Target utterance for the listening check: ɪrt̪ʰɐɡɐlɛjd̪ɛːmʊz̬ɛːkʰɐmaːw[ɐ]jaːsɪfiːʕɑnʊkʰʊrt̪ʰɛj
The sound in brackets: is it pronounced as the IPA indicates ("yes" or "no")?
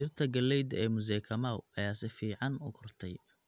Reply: yes